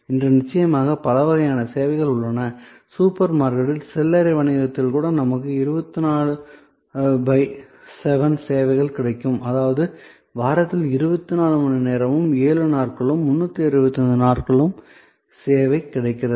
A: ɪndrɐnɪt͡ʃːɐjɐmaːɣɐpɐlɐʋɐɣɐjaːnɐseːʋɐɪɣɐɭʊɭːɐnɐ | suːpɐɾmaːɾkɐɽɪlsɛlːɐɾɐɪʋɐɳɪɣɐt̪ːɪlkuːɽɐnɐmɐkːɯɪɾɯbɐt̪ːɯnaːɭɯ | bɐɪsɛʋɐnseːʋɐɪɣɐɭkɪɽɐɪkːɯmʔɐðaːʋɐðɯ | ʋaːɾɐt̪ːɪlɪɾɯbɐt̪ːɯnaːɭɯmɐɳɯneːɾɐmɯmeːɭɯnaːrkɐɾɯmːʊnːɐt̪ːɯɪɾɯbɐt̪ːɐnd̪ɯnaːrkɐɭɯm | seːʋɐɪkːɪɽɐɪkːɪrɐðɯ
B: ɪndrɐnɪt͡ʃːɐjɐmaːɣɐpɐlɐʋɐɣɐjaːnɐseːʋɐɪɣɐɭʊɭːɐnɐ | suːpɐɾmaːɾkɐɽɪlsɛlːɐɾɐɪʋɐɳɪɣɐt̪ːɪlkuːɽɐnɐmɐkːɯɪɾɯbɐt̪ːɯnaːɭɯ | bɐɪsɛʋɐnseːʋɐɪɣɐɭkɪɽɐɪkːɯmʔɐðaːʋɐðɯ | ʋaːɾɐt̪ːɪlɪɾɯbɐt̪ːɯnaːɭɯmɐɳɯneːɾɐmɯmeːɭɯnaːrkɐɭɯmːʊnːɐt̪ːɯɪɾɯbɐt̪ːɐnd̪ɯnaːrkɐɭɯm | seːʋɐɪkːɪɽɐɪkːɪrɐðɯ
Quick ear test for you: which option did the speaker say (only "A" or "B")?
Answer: B